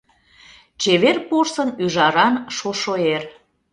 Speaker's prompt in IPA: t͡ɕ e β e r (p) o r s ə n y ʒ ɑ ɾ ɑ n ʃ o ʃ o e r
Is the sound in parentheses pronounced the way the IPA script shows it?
yes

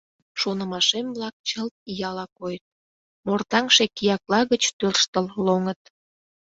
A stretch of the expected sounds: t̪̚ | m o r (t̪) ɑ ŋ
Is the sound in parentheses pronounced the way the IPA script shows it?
yes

